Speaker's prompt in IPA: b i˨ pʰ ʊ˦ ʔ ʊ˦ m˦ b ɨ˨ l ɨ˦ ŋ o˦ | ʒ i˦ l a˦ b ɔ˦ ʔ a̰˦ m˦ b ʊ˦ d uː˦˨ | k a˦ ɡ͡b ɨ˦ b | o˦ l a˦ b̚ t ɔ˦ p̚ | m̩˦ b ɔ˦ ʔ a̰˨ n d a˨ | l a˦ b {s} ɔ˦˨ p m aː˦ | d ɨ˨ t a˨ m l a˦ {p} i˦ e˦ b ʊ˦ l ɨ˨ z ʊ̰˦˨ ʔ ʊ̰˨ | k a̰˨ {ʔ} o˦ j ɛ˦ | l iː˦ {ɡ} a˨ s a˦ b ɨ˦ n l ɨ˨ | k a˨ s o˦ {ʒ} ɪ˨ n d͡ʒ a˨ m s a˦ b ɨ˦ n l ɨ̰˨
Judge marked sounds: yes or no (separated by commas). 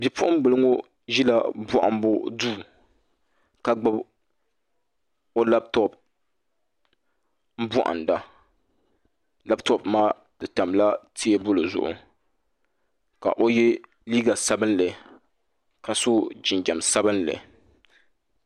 no, no, yes, yes, no